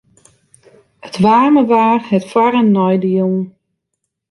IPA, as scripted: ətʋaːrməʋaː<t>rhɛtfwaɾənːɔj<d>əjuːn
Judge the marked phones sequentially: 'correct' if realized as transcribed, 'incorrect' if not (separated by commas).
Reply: incorrect, correct